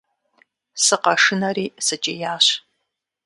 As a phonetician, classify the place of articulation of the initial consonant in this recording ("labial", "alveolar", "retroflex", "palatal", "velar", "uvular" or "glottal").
alveolar